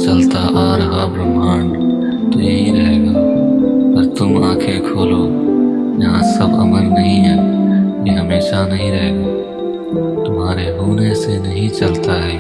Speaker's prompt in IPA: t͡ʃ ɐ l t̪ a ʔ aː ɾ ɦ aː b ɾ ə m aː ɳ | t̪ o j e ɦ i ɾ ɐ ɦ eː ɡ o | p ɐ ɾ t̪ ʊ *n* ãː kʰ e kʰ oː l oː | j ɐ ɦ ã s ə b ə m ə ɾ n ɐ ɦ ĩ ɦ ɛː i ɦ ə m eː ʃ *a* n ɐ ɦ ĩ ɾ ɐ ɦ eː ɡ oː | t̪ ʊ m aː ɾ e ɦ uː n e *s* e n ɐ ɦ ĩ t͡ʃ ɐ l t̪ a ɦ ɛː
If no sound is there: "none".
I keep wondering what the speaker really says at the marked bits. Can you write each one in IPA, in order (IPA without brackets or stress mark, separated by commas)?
m, a, s